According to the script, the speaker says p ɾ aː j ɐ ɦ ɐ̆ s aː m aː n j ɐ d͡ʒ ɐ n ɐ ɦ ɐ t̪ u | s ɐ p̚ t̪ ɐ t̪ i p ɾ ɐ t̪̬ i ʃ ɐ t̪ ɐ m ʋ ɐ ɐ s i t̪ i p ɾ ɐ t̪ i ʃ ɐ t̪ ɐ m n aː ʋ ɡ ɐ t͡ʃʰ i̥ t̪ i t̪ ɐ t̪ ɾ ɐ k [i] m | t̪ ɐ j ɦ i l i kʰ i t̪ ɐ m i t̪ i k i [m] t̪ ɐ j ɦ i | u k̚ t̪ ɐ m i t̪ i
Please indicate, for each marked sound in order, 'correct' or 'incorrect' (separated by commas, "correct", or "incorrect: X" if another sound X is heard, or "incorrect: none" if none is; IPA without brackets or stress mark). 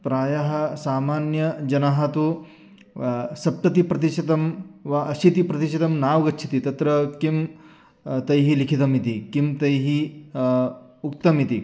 correct, correct